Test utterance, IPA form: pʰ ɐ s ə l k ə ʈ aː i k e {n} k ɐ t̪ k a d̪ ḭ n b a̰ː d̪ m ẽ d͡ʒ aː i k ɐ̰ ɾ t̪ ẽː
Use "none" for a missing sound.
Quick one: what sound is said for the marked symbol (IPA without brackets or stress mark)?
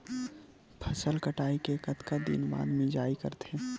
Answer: none